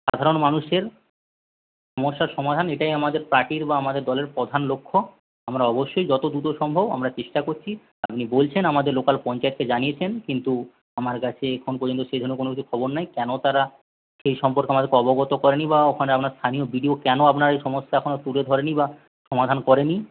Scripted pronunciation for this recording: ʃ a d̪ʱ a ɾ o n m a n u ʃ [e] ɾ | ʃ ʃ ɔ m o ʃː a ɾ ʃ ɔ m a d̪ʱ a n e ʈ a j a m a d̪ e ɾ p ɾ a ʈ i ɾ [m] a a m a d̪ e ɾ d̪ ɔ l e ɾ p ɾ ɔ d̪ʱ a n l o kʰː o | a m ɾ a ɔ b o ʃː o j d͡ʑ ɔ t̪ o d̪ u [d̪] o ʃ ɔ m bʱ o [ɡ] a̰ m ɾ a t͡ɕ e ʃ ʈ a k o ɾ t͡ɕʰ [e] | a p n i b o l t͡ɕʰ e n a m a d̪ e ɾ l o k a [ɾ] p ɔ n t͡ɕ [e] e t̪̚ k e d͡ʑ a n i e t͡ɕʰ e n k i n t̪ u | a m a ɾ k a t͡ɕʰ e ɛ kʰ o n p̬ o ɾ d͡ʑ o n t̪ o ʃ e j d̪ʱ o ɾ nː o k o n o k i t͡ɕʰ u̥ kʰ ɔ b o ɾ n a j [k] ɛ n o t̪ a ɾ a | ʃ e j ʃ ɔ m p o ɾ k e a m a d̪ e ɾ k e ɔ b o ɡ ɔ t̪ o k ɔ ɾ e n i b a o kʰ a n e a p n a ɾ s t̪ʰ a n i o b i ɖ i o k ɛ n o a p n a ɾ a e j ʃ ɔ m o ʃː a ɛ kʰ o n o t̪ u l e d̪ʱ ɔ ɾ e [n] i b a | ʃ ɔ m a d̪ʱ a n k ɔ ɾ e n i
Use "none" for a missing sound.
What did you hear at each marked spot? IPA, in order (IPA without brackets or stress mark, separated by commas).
e, b, t̪, b, i, l, a, k, n